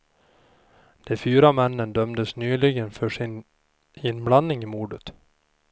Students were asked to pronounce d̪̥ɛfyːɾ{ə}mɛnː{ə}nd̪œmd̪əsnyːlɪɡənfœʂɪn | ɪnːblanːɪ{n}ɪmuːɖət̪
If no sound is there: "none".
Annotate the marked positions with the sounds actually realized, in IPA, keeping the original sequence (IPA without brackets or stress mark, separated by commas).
a, ə, ŋ